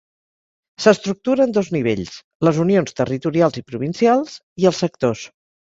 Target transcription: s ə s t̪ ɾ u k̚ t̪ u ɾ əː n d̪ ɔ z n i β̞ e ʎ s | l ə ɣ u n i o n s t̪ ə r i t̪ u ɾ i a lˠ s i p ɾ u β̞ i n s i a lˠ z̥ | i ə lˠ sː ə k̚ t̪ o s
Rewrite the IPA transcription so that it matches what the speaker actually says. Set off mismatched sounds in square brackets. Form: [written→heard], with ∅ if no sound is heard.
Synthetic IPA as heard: s ə s t̪ ɾ u k̚ t̪ u ɾ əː n d̪ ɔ z n i β̞ e ʎ s | l ə [ɣ→z] u n i o n s t̪ ə r i t̪ u ɾ i a lˠ [s→z] i p ɾ u β̞ i n s i a lˠ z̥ | i ə lˠ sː ə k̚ t̪ o s